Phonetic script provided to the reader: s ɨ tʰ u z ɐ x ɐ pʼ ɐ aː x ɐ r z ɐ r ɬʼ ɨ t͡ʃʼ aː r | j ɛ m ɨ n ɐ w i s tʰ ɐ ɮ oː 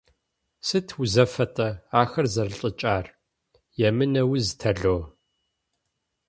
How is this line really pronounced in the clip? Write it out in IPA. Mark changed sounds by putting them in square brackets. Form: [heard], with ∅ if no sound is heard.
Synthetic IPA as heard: s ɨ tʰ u z ɐ [f] ɐ [tʼ] ɐ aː x ɐ r z ɐ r ɬʼ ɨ t͡ʃʼ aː r | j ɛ m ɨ n ɐ w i [z] tʰ ɐ ɮ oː